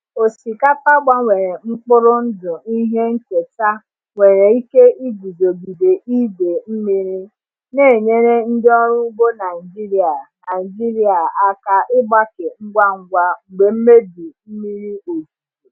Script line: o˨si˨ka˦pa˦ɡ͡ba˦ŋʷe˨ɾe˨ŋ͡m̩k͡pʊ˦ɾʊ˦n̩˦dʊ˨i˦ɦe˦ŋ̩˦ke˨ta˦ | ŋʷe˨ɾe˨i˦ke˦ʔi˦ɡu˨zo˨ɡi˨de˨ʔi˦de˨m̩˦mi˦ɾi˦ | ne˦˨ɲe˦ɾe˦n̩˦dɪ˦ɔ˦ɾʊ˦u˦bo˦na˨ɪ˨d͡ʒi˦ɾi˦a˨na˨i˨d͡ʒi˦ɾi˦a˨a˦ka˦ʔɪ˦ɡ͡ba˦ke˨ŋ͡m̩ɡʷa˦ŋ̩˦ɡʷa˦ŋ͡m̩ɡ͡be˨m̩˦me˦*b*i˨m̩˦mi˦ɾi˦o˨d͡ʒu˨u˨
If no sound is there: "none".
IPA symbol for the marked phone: d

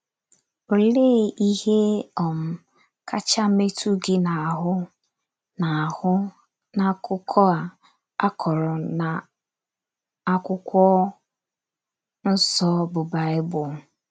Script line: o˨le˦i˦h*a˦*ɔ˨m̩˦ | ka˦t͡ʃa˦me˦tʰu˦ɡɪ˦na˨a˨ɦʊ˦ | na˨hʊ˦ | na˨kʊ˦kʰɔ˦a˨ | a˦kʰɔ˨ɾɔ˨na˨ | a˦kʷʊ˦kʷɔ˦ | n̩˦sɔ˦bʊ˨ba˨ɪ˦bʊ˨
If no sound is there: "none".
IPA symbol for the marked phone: e˦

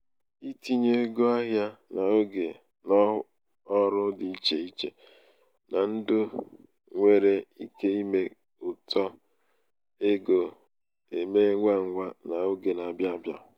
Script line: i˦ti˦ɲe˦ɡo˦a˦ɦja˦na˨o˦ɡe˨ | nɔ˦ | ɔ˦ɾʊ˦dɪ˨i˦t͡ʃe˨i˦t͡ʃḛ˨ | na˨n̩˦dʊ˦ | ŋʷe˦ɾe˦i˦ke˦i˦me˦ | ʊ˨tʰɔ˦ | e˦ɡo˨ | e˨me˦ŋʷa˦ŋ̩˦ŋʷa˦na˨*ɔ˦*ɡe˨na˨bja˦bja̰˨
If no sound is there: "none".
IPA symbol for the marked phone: o˦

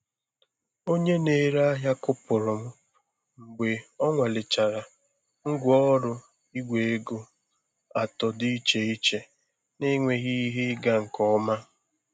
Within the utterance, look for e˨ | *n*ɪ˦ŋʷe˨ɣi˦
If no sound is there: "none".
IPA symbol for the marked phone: n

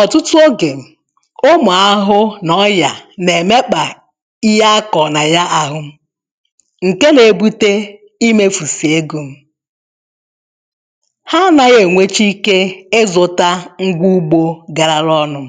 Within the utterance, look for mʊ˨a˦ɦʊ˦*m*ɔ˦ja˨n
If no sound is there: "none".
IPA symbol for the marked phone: n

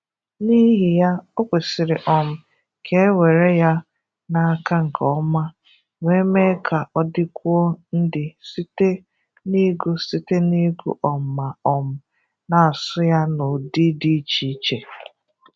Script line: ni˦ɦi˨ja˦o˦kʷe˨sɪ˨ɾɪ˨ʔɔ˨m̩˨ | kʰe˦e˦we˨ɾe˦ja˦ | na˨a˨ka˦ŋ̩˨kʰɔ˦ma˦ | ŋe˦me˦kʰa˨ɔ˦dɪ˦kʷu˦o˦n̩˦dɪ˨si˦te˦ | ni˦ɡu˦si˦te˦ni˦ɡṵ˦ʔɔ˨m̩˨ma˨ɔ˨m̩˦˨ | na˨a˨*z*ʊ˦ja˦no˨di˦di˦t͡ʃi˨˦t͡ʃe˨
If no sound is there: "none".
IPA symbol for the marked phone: s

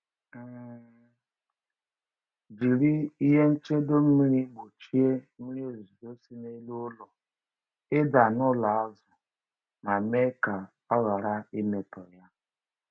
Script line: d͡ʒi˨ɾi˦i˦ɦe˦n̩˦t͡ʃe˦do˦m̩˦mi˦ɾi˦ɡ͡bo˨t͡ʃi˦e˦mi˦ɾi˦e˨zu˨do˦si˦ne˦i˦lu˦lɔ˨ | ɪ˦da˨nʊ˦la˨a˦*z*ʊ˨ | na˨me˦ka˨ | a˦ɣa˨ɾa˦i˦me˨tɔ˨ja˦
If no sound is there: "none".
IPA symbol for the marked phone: z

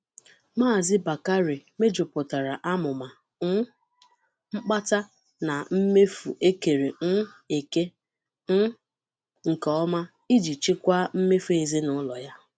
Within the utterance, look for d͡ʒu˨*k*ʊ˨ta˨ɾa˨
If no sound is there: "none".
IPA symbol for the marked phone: p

